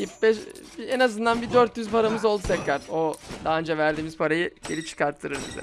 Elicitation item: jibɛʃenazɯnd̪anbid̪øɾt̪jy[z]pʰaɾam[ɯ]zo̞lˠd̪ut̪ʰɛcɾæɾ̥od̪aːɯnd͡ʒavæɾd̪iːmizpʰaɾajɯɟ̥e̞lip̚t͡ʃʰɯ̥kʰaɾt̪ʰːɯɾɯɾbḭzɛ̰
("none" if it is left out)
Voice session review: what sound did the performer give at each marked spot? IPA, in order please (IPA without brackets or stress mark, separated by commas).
z, ɯ